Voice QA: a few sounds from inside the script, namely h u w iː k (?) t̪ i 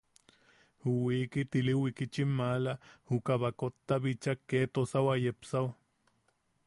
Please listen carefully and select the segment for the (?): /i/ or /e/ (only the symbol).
i